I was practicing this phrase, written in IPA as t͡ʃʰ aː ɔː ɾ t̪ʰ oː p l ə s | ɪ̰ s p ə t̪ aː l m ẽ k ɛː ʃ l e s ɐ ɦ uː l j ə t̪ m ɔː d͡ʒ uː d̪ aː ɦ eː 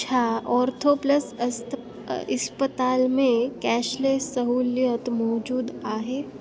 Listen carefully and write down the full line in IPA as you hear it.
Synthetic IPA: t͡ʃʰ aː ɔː ɾ t̪ʰ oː p l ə s | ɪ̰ s p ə t̪ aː l m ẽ k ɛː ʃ l e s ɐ ɦ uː l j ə t̪ m ɔː d͡ʒ uː d̪ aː ɦ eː